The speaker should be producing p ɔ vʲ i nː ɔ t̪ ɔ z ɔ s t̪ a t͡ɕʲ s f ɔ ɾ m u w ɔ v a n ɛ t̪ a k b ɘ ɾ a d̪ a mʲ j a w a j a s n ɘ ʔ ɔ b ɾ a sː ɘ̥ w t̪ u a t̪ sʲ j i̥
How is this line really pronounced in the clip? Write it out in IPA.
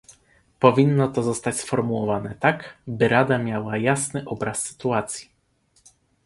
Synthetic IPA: p ɔ vʲ i nː ɔ t̪ ɔ z ɔ s t̪ a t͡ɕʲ s f ɔ ɾ m u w ɔ v a n ɛ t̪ a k b ɘ ɾ a d̪ a mʲ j a w a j a s n ɘ ʔ ɔ b ɾ a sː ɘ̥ t̪ u a t̪ sʲ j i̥